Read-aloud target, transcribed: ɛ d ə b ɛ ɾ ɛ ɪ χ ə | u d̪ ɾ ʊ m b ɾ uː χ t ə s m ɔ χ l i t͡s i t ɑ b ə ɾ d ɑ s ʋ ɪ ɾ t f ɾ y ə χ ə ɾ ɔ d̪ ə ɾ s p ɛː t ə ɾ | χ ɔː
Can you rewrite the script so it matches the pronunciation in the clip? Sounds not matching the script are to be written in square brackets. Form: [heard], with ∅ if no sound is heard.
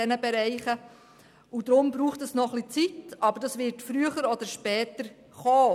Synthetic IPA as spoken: ɛ [n] ə b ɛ ɾ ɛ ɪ χ ə | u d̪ ɾ ʊ m b ɾ uː χ t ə s [n] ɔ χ l i t͡s i t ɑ b ə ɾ d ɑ s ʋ ɪ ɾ t f ɾ y ə χ ə ɾ ɔ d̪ ə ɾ [ʃ] p ɛː t ə ɾ | χ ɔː